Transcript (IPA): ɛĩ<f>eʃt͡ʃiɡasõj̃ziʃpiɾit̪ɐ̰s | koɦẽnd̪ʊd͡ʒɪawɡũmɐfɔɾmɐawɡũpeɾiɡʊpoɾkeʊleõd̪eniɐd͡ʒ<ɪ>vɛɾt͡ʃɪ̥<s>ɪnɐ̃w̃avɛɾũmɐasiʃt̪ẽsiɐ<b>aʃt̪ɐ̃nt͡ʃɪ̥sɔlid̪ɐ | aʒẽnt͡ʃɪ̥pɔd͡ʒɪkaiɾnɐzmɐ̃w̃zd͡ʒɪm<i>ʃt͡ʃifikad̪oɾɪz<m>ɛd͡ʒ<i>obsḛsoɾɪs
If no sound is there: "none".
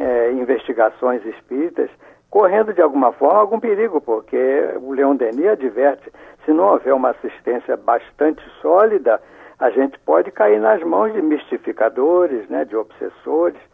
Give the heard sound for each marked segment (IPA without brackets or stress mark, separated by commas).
v, i, s, b, i, n, ɪ